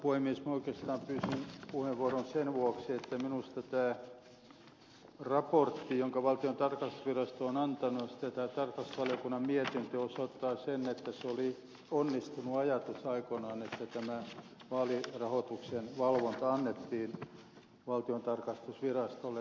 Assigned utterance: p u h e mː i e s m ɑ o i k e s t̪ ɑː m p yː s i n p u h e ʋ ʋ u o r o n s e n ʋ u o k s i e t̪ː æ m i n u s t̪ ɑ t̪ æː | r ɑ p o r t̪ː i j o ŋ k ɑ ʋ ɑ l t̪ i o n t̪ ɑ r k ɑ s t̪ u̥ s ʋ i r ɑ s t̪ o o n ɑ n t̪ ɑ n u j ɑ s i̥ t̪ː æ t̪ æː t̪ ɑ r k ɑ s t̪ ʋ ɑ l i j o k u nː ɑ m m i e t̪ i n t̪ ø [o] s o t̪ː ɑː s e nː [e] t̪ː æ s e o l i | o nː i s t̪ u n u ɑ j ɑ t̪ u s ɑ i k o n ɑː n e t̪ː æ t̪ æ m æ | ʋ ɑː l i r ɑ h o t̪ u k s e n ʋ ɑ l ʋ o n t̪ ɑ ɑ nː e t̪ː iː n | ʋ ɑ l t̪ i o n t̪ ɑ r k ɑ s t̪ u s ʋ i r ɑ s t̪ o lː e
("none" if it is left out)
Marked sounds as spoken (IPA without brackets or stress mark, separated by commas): o, e